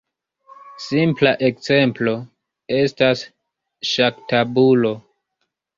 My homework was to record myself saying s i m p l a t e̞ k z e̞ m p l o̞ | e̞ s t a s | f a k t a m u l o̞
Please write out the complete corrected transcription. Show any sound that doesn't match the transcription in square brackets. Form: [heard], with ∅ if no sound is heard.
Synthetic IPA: s i m p l a [ʔ] e̞ k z e̞ m p l o̞ | e̞ s t a s | [ʃ] a k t a [b] u l o̞